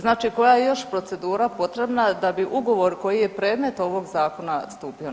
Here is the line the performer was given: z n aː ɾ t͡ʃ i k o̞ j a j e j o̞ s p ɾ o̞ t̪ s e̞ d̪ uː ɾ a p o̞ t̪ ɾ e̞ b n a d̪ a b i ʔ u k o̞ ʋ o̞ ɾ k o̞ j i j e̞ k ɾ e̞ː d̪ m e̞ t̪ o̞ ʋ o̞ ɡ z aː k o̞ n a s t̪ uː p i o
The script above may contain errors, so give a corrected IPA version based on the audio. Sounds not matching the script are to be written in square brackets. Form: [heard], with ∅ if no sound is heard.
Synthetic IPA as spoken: z n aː [∅] t͡ʃ i k o̞ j a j e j o̞ [ʃ] p ɾ o̞ t̪ s e̞ d̪ uː ɾ a p o̞ t̪ ɾ e̞ b n a d̪ a b i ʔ u [ɡ] o̞ ʋ o̞ ɾ k o̞ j i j e̞ [p] ɾ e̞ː d̪ m e̞ t̪ o̞ ʋ o̞ ɡ z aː k o̞ n a s t̪ uː p i o